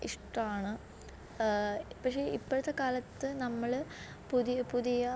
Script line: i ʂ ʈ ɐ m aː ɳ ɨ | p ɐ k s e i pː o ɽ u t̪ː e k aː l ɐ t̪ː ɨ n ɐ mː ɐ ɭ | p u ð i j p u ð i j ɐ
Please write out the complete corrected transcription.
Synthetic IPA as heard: i ʂ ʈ ɐ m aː ɳ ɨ | p ɐ k ʂ e i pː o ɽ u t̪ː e k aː l ɐ t̪ː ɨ n ɐ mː ɐ ɭ | p u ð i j p u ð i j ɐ